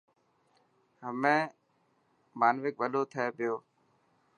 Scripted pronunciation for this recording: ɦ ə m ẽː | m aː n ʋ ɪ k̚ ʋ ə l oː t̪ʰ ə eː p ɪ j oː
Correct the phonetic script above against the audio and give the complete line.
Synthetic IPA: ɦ ə m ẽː | m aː n ʋ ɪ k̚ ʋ ə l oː t̪ʰ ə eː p ɪ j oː